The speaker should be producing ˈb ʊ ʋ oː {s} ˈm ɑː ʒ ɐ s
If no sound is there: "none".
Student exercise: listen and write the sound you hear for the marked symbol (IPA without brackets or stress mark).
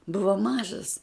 none